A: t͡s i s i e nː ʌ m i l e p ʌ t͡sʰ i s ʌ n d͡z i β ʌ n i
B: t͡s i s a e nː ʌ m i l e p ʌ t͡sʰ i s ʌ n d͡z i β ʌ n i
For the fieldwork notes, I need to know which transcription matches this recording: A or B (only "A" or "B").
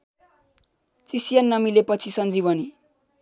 A